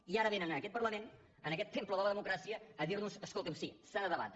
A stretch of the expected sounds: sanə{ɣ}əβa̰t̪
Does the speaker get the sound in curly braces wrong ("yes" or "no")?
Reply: yes